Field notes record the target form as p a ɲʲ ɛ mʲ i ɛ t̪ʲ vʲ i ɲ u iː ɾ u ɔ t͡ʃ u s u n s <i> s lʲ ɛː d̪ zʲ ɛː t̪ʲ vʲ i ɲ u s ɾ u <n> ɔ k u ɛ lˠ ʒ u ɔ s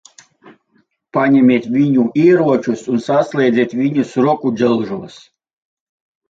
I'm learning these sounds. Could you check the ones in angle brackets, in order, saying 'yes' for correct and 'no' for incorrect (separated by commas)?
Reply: no, no